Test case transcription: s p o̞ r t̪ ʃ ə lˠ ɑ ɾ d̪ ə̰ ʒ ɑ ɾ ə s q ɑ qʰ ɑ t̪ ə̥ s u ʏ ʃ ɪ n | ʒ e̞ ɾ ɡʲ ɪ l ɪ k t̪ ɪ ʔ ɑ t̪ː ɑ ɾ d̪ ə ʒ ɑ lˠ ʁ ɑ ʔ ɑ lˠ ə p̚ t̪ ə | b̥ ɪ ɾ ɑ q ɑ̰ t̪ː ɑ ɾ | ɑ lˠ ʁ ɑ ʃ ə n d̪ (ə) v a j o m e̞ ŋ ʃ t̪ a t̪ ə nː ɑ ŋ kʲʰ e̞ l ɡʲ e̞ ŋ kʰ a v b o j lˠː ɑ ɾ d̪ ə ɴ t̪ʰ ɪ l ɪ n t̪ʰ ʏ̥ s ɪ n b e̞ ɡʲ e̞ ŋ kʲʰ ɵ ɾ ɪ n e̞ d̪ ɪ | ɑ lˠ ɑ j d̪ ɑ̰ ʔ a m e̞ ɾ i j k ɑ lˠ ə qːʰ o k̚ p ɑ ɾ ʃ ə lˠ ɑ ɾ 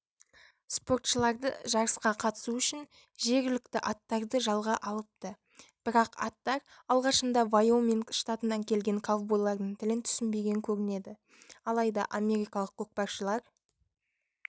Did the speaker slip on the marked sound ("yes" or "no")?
yes